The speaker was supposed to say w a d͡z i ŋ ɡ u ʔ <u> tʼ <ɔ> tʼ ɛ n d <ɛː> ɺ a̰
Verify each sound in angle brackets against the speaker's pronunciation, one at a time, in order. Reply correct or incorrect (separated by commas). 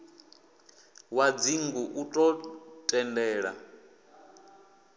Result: correct, correct, correct